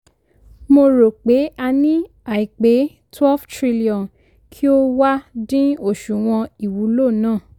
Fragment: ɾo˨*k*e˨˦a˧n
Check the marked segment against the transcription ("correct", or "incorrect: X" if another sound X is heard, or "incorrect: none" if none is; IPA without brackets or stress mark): incorrect: k͡p